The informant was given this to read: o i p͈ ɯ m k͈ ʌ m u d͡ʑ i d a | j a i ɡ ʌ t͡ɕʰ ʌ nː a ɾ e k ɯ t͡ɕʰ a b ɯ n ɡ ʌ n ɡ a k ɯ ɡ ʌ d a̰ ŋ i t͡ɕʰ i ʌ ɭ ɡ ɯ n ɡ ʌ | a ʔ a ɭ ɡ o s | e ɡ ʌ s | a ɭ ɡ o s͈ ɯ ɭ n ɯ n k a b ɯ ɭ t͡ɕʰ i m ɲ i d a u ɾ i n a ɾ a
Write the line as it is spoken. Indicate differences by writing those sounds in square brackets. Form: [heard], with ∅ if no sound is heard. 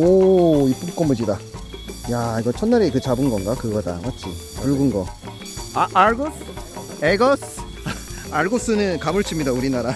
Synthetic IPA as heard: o i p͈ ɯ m k͈ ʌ m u d͡ʑ i d a | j a i ɡ ʌ t͡ɕʰ ʌ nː a ɾ e k ɯ [t͡ɕ] a b ɯ n ɡ ʌ n ɡ a k ɯ ɡ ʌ d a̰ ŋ [a] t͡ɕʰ i ʌ ɭ ɡ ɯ n ɡ ʌ | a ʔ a ɭ ɡ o s | e ɡ ʌ s | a ɭ ɡ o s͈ ɯ [∅] n ɯ n k a [m] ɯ ɭ t͡ɕʰ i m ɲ i d a u ɾ i n a ɾ a